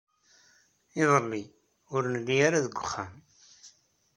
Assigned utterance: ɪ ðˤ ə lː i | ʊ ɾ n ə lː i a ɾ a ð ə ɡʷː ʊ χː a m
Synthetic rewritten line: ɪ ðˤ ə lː i | ʊ ɾ n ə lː i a ɾ a ð ə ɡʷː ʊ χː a m